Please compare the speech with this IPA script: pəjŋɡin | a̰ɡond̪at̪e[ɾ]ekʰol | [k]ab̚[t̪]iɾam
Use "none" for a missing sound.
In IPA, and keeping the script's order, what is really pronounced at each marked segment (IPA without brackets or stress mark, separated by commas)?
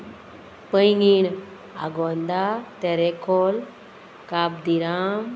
ɾ, k, d̪